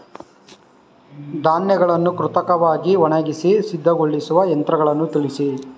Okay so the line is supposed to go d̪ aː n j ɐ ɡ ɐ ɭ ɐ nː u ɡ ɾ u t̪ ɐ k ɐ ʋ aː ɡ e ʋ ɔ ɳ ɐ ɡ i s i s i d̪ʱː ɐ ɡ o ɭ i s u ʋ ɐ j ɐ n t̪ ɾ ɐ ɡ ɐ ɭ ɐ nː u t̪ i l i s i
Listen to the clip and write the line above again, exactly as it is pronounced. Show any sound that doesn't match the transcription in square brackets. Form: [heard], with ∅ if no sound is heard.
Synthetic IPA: d̪ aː n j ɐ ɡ ɐ ɭ ɐ nː u [k] ɾ u t̪ ɐ k ɐ ʋ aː ɡ [i] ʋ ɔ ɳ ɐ ɡ i s i s i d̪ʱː ɐ ɡ o [ɭː] i s u ʋ ɐ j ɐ n t̪ ɾ ɐ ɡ ɐ ɭ ɐ nː u t̪ i l i s i